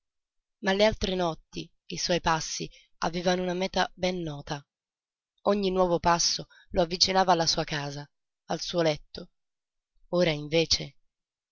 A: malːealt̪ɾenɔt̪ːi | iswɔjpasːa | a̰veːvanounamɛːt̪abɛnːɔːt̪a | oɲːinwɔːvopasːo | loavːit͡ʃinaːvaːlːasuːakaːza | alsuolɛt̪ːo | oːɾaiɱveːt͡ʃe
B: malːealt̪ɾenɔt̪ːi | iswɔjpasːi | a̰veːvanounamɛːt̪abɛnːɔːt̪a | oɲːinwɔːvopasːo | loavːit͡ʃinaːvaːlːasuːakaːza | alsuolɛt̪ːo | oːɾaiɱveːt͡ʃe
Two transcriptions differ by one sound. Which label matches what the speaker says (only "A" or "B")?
B